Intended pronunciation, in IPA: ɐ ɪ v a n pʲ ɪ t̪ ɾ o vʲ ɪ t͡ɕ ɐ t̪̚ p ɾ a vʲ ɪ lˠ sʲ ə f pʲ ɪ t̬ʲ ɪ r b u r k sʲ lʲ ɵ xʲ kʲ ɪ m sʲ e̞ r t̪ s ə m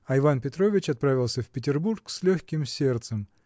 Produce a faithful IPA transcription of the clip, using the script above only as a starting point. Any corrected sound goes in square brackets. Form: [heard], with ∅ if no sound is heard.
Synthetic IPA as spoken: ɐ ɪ v a n pʲ ɪ t̪ ɾ o vʲ ɪ t͡ɕ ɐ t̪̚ p ɾ a vʲ ɪ lˠ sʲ ə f pʲ ɪ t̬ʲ ɪ r b u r k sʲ lʲ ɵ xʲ kʲ ɪ m sʲ e̞ r t̪ s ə m